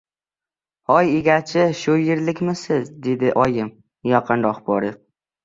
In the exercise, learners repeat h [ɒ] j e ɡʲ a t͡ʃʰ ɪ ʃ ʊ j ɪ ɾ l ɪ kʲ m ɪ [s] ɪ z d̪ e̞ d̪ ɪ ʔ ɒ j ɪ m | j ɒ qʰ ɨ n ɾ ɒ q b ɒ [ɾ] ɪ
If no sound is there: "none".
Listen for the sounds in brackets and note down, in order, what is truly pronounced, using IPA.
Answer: ɒ, s, ɾ

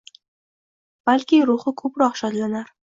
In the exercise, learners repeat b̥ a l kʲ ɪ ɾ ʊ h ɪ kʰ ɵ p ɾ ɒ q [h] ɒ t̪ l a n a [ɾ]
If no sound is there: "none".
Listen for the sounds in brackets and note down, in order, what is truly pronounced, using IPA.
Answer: ʃ, ɾ

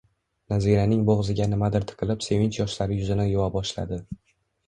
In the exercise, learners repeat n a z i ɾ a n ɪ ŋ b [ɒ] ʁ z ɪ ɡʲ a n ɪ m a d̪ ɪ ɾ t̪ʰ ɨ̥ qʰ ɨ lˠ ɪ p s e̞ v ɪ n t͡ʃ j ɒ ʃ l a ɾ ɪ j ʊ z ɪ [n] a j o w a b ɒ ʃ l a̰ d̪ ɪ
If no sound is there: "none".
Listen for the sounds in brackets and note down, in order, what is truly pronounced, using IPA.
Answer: o, n

